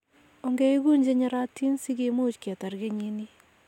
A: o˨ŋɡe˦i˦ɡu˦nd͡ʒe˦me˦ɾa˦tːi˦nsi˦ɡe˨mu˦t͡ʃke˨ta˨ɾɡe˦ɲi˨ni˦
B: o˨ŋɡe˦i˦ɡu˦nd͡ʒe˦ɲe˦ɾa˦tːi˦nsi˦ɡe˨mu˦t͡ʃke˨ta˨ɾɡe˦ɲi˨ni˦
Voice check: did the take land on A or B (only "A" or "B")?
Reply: B